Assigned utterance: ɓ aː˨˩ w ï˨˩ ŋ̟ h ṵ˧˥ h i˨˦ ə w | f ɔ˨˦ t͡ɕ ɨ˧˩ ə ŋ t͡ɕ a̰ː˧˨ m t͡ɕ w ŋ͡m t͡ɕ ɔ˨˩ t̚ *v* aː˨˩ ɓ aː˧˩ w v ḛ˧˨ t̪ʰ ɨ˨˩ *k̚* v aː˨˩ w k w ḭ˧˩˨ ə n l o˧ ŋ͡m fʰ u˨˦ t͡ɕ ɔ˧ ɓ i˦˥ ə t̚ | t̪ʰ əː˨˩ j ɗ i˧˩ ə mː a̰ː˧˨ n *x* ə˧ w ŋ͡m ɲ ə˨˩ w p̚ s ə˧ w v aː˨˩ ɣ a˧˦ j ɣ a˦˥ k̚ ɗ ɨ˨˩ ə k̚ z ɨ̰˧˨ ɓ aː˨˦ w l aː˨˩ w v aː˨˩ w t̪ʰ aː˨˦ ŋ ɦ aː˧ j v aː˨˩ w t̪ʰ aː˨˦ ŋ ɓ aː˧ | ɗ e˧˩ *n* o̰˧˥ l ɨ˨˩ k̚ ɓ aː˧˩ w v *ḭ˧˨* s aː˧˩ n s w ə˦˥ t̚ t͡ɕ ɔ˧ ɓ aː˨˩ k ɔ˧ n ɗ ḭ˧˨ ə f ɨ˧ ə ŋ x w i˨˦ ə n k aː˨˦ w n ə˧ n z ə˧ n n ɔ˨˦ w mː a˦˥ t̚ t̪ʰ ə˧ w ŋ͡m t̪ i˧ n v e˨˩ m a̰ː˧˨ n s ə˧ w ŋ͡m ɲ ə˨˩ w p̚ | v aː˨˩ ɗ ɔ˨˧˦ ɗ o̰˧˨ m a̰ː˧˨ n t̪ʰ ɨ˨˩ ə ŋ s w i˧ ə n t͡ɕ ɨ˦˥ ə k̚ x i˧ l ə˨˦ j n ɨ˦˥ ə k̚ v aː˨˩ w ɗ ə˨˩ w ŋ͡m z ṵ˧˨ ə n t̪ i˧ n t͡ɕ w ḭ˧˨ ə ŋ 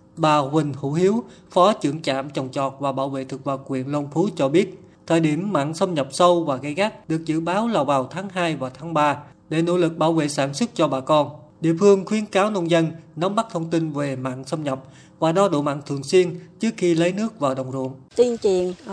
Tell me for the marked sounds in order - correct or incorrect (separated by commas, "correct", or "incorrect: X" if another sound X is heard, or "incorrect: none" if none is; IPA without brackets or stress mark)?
correct, correct, incorrect: s, correct, incorrect: ḛ˧˨